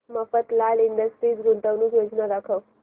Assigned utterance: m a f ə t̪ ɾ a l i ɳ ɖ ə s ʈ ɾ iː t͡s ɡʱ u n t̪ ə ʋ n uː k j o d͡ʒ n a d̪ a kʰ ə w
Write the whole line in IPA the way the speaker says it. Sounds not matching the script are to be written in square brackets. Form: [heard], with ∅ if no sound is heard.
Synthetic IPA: m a f ə t̪ [l] a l i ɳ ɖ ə s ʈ ɾ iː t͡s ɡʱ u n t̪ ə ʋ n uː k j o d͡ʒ n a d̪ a kʰ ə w